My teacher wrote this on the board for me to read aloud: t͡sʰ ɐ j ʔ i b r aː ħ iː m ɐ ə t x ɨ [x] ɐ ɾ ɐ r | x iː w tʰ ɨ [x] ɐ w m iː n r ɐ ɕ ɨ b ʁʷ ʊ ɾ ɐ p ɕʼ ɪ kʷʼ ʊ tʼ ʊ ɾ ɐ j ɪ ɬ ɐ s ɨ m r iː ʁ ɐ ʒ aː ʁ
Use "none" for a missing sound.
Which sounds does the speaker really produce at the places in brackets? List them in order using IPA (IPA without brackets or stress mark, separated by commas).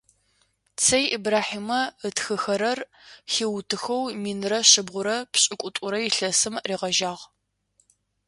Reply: x, x